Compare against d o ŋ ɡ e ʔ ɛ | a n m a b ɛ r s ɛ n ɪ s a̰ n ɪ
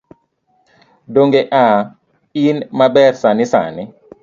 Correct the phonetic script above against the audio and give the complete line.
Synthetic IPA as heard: d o ŋ ɡ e ʔ a | i n m a b ɛ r s a n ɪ s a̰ n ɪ